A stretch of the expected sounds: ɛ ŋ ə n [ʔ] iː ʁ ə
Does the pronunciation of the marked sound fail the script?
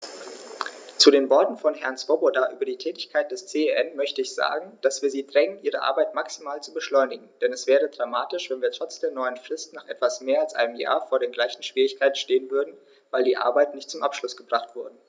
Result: no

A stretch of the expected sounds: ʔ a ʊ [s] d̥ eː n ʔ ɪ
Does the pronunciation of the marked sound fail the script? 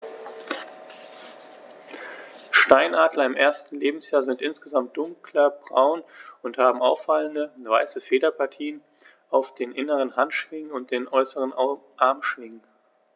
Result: yes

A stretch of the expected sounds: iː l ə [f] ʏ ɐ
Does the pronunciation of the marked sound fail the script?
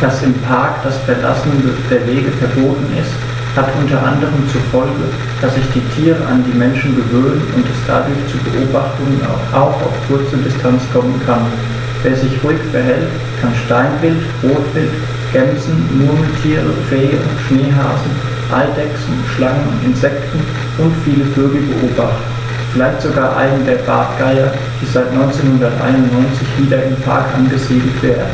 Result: no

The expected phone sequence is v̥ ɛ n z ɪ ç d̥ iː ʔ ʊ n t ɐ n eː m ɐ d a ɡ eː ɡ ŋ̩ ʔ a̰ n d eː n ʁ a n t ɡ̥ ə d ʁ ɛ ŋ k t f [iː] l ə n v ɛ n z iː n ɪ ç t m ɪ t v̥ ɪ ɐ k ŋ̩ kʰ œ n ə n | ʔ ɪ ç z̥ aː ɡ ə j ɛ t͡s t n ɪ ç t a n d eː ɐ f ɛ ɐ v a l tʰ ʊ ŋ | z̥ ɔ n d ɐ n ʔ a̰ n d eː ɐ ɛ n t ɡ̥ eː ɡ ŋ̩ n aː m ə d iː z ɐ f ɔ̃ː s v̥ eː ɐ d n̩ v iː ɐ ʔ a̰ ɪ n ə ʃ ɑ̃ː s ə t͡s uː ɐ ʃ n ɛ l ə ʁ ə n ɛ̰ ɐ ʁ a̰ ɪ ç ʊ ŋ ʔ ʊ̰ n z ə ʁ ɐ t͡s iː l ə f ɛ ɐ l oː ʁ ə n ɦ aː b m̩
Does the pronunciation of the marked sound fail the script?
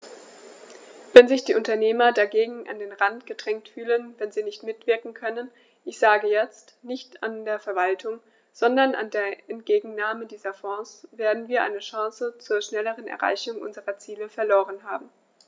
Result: yes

